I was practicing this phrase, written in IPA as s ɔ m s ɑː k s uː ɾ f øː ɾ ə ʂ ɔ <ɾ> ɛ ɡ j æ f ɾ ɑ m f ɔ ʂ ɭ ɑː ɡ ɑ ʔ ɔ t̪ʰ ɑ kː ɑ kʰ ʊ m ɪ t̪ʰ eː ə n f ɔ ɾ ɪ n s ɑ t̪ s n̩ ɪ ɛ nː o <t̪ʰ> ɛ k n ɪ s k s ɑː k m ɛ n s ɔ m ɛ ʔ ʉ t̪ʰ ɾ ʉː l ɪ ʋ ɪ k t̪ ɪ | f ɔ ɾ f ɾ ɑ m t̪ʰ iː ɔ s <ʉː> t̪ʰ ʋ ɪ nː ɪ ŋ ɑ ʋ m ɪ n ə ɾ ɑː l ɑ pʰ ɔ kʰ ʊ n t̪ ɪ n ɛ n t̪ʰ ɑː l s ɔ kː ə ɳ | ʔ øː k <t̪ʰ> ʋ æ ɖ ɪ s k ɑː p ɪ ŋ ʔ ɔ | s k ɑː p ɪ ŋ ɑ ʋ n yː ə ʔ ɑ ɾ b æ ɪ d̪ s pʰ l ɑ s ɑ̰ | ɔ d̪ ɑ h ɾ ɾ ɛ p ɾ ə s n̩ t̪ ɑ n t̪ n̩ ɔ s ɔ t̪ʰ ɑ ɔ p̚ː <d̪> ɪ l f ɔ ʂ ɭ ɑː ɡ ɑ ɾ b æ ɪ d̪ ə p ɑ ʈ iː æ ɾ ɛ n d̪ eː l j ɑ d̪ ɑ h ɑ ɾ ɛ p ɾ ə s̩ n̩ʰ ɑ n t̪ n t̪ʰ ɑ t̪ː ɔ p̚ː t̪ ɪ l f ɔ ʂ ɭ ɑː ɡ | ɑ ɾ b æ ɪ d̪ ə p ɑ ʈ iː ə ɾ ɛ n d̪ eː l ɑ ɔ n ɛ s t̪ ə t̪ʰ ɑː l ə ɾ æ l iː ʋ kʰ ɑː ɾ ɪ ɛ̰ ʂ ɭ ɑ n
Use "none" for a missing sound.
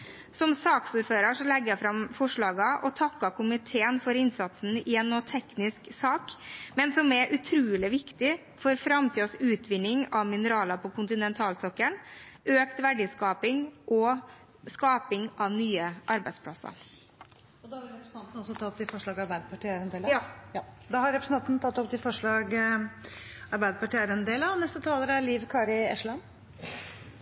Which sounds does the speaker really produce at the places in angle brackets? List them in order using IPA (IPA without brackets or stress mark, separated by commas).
l, t̪ʰ, ʉː, t̪, t̪